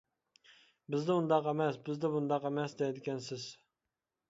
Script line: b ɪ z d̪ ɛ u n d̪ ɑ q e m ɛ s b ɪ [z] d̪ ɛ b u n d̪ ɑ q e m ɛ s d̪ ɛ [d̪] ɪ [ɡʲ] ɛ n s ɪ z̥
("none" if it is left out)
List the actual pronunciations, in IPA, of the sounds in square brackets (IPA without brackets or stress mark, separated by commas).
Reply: z, d̪, kʲ